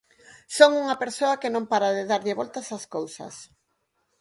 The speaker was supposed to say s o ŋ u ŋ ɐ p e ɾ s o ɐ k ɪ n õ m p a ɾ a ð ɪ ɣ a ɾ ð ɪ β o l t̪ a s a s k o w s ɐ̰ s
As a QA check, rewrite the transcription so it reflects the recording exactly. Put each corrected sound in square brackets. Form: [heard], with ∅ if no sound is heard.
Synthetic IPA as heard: s o ŋ u ŋ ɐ p e ɾ s o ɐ k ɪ n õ m p a ɾ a ð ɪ [ð] a ɾ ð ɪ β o l t̪ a s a s k o w s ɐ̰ s